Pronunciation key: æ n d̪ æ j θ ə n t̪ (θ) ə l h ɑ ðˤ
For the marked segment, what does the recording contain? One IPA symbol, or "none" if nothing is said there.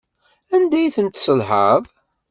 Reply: s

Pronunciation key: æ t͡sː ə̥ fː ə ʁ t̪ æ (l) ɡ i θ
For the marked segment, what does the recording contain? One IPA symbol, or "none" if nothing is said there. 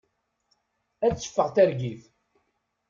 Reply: ɾ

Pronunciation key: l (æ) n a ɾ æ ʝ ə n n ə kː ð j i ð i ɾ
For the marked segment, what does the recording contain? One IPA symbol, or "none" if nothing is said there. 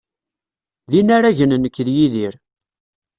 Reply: i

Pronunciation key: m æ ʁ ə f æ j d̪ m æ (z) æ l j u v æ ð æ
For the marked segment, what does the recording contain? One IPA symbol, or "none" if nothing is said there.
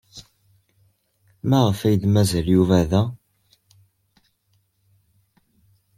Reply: z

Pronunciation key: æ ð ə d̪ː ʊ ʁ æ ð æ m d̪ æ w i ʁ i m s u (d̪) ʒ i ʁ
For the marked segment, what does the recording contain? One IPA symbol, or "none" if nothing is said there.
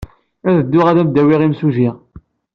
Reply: none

